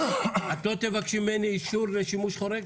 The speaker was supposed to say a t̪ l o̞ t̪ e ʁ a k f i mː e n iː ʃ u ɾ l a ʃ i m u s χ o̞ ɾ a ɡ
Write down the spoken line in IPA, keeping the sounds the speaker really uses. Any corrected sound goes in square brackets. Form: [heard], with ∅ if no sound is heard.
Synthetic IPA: a t̪ l o̞ t̪ e [v] a k [ʃ] i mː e n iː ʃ u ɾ l [e] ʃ i m u [ʃ] χ o̞ ɾ [e] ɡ